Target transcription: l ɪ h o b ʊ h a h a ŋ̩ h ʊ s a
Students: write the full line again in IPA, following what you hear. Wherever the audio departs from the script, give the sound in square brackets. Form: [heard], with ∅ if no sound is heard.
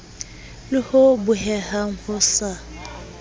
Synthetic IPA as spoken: l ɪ h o b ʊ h [ɛ] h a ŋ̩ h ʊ s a